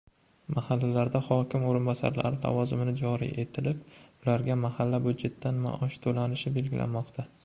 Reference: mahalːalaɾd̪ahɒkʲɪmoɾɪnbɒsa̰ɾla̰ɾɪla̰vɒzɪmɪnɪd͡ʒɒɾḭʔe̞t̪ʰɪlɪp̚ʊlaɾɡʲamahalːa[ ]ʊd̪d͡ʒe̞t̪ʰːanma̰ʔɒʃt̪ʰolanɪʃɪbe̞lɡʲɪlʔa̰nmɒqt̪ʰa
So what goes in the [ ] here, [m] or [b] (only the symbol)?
b